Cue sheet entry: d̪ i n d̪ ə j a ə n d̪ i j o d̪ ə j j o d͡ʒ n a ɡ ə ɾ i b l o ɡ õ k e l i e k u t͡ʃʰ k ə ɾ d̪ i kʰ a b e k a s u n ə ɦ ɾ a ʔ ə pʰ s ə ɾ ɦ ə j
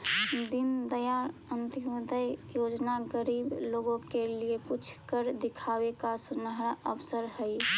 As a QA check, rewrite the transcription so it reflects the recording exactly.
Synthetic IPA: d̪ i n d̪ ə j a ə n t̪ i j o d̪ ə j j o d͡ʒ n a ɡ ə ɾ i b l o ɡ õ k e l i e k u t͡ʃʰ k ə ɾ d̪ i kʰ a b e k a s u n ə ɦ ɾ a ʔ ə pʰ s ə ɾ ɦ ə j